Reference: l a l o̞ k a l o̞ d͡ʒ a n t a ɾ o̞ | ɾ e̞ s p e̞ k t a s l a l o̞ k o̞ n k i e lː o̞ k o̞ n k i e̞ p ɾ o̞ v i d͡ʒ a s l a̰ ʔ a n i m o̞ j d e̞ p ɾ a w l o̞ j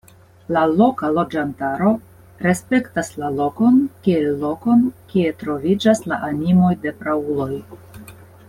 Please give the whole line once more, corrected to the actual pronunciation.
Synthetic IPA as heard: l a l o̞ k a l o̞ d͡ʒ a n t a ɾ o̞ | ɾ e̞ s p e̞ k t a s l a l o̞ k o̞ n k i e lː o̞ k o̞ n k i e̞ t ɾ o̞ v i d͡ʒ a s l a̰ ʔ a n i m o̞ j d e̞ p ɾ a u l o̞ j